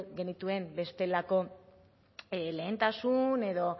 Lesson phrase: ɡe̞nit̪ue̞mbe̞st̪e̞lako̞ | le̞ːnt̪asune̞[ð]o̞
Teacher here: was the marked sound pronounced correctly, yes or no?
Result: yes